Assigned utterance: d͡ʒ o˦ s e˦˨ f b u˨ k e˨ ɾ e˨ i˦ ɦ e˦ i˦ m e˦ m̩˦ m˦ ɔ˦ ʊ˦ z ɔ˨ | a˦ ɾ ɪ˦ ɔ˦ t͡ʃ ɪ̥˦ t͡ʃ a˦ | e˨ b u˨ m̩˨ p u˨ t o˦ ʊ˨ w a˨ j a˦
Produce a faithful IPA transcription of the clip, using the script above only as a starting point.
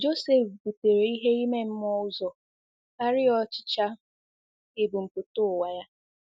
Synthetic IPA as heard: d͡ʒ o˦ s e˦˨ f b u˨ t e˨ ɾ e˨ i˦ ɦ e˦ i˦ m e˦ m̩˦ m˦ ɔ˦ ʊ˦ z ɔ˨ | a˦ ɾ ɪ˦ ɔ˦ t͡ʃ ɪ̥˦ t͡ʃ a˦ | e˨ b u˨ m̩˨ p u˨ t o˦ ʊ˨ w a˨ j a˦